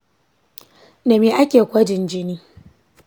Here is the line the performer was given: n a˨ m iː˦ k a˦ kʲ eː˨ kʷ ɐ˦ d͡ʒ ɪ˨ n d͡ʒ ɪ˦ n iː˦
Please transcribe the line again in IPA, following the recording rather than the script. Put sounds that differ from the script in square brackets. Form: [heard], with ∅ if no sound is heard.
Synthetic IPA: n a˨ m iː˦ [ʔ] a˦ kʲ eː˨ kʷ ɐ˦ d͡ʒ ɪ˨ n d͡ʒ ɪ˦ n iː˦

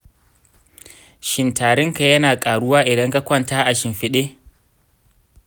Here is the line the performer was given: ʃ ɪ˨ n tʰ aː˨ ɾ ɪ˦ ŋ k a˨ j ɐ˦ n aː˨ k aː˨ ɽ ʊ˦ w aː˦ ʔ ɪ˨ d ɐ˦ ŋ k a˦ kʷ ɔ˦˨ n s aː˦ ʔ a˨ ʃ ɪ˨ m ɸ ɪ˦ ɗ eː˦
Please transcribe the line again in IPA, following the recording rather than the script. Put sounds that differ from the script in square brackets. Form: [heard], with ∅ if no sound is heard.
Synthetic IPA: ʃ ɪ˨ n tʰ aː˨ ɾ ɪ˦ ŋ k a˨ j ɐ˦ n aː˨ [kʼ] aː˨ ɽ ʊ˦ w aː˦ ʔ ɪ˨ d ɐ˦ ŋ k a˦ kʷ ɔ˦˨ n [t] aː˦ ʔ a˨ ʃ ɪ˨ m ɸ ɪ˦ ɗ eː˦

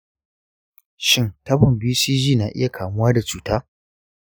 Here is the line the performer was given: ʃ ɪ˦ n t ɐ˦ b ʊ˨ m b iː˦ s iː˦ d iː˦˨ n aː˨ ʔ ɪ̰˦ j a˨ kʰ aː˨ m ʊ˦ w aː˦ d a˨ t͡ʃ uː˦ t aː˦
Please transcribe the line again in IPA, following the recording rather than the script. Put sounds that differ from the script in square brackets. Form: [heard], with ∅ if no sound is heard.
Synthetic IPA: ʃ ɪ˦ n t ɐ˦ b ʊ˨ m b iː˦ s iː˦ [d͡ʒ] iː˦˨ n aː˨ ʔ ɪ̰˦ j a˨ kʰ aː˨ m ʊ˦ w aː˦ d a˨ t͡ʃ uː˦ t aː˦

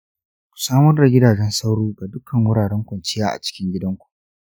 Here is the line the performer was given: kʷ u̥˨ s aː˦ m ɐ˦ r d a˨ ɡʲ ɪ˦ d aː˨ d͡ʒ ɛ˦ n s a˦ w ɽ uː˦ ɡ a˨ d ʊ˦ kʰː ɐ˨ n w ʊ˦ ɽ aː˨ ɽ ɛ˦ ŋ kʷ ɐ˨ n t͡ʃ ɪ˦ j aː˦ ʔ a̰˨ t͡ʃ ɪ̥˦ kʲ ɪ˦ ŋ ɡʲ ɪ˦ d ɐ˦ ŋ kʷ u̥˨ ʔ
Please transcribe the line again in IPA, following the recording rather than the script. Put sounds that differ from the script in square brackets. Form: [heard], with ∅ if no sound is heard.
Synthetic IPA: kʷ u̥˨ s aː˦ m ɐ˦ r d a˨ ɡʲ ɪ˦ d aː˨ d͡ʒ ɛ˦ n s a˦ w ɽ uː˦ ɡ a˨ d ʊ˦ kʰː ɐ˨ [ŋ] w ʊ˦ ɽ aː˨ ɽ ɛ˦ ŋ kʷ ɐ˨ n t͡ʃ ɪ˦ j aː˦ ʔ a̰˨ t͡ʃ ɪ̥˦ kʲ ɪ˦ ŋ ɡʲ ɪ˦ d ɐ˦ ŋ kʷ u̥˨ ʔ

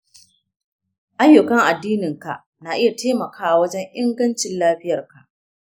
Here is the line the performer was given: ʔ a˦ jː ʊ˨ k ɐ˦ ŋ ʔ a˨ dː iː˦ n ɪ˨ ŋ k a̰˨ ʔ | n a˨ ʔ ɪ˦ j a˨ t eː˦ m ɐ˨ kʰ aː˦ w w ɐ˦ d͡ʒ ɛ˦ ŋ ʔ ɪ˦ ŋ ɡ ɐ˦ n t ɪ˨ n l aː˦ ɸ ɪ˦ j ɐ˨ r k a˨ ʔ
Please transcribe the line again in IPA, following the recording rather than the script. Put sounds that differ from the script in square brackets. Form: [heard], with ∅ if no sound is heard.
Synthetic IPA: ʔ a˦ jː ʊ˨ k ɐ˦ ŋ ʔ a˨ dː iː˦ n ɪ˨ ŋ k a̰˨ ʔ | n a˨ ʔ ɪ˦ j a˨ t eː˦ m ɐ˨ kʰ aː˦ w w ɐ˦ d͡ʒ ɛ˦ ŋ ʔ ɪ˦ ŋ ɡ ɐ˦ n [t͡ʃ] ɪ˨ n l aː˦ ɸ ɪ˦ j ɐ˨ r k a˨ ʔ

